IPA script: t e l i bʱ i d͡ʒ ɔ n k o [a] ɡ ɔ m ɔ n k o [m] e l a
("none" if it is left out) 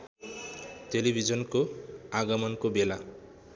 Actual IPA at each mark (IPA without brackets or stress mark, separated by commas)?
a, b